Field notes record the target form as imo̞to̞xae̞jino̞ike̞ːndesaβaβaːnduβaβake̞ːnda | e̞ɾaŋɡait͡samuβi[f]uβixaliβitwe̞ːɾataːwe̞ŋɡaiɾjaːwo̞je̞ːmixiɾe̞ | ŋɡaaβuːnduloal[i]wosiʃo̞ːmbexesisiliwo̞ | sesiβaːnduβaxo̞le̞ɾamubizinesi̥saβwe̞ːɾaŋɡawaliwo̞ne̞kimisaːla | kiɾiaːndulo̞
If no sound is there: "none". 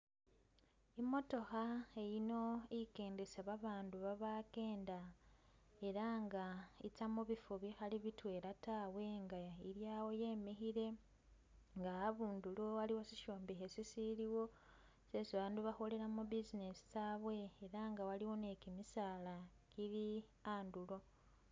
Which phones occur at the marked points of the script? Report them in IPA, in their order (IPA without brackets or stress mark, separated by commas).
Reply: f, i